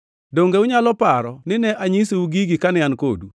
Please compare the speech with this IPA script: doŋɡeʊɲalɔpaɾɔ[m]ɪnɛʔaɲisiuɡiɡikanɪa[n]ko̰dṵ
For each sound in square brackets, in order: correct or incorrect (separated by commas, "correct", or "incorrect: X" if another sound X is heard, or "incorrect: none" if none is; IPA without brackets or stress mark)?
incorrect: n, correct